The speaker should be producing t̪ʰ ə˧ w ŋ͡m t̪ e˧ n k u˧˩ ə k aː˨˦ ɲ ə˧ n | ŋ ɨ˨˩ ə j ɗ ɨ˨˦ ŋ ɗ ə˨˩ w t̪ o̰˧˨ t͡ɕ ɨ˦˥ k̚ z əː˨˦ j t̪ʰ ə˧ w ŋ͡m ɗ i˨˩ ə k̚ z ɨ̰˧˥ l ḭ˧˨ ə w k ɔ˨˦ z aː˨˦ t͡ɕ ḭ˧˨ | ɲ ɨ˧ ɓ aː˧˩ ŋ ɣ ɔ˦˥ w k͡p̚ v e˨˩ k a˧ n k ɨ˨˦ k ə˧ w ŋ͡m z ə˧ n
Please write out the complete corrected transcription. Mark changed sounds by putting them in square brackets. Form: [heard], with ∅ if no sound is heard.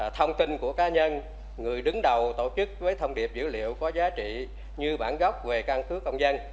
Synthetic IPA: t̪ʰ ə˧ w ŋ͡m t̪ [i˧] n k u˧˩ ə k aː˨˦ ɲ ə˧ n | ŋ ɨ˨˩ ə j ɗ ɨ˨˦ ŋ ɗ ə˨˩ w t̪ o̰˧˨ t͡ɕ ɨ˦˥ k̚ [v] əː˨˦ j t̪ʰ ə˧ w ŋ͡m ɗ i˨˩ ə [p̚] z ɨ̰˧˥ l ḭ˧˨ ə w k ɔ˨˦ z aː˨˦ t͡ɕ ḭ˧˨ | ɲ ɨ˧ ɓ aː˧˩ [n] ɣ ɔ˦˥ w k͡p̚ v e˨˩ k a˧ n k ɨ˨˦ k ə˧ w ŋ͡m z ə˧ n